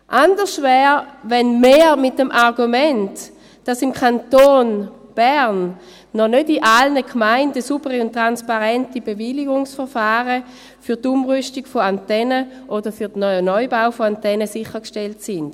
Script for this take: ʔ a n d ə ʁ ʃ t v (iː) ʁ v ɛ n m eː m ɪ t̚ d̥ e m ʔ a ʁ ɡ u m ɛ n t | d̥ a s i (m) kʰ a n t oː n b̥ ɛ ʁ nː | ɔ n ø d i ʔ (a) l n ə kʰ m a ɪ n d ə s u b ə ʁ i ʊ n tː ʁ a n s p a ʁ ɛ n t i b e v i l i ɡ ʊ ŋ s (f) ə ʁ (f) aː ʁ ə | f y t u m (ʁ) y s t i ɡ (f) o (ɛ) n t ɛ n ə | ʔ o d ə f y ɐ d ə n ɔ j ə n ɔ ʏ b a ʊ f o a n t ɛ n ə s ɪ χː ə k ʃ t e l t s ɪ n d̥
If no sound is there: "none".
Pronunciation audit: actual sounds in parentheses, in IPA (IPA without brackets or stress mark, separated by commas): ɛː, m, a, f, f, ʁ, f, a